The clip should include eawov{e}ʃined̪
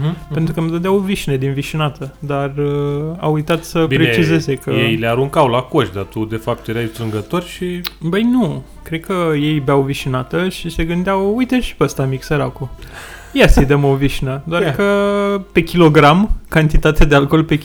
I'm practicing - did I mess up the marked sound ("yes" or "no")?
yes